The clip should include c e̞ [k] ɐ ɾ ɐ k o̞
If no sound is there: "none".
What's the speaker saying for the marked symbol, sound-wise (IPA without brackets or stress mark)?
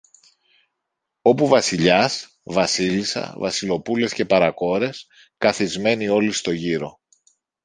p